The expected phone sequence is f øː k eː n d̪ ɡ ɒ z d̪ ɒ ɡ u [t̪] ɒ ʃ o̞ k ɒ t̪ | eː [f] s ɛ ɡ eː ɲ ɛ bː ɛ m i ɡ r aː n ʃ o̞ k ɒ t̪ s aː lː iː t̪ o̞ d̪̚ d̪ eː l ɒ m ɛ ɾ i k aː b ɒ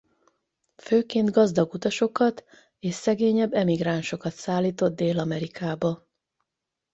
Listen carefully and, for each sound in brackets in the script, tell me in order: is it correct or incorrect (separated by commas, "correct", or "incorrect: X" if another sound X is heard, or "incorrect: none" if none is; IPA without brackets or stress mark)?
correct, incorrect: ʃ